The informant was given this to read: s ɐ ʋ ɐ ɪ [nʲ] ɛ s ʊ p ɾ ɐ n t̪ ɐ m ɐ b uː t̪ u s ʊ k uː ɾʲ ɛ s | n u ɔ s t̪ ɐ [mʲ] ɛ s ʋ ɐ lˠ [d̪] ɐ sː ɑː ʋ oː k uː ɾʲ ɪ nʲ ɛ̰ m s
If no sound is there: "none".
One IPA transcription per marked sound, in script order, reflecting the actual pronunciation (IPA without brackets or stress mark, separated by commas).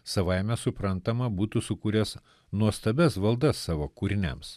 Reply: mʲ, bʲ, d̪